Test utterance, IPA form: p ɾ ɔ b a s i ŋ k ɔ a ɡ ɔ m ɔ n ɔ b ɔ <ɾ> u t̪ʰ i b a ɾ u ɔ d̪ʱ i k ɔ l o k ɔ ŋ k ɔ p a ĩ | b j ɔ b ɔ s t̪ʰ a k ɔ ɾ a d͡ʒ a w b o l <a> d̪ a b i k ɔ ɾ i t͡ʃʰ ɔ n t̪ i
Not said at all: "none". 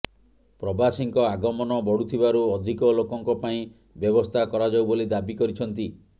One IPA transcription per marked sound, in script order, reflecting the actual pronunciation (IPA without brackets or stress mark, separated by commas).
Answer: ɽ, i